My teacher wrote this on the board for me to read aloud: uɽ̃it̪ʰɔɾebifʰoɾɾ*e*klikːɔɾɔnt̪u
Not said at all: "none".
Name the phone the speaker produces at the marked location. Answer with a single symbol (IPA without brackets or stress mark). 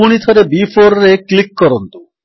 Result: e